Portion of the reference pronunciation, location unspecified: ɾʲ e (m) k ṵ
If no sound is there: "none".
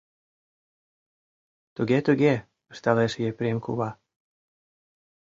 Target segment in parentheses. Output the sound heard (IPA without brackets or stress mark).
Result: m